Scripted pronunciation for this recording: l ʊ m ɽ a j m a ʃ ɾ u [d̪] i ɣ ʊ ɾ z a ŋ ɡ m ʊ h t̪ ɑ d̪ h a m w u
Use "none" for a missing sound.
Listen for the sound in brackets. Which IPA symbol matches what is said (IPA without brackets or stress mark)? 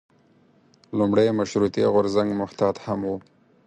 t̪